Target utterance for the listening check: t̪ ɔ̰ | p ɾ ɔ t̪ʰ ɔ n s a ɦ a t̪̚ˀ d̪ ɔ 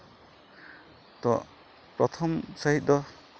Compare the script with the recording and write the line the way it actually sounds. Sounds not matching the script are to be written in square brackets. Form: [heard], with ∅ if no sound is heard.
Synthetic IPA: t̪ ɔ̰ | p ɾ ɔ t̪ʰ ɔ [m] s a ɦ [i] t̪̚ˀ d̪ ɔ